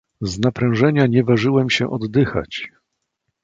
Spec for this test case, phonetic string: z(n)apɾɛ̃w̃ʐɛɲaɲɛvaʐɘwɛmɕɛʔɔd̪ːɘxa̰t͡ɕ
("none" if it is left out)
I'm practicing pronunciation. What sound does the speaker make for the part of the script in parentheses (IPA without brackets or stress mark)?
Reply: n